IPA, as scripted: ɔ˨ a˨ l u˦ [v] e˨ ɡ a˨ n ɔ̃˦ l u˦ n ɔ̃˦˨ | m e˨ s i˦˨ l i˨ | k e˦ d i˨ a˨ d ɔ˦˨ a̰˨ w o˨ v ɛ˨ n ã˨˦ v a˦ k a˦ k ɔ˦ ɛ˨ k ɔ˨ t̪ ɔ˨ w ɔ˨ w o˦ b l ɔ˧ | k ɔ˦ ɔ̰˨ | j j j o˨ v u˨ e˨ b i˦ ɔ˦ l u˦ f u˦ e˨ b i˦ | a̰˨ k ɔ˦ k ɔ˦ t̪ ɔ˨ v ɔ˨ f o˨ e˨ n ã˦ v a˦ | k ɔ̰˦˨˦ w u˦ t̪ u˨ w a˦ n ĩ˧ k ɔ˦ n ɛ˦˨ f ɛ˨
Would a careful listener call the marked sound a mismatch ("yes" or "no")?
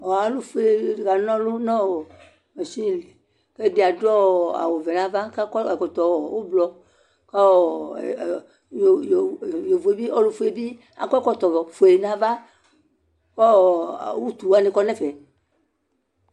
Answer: yes